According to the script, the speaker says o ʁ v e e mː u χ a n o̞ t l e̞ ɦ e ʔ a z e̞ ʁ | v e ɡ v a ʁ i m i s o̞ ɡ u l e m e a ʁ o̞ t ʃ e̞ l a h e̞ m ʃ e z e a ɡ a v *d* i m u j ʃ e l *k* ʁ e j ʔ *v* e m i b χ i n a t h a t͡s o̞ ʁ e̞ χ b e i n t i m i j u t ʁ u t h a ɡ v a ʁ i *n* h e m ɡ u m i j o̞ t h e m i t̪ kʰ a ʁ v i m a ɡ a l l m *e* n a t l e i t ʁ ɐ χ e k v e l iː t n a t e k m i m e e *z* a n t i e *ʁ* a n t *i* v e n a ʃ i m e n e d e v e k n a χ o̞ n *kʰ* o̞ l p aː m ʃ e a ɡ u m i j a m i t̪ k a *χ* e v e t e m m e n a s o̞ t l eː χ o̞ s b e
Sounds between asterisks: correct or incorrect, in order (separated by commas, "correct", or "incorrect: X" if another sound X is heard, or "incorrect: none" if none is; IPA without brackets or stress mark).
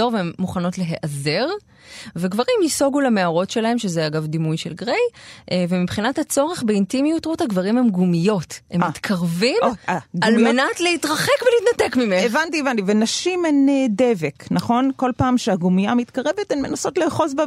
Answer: correct, incorrect: ɡ, correct, incorrect: m, correct, incorrect: v, incorrect: v, correct, incorrect: k, incorrect: ʁ